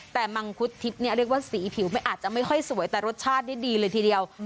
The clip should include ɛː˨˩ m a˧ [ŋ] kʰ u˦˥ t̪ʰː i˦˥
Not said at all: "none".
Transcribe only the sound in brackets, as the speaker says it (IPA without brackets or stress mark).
ŋ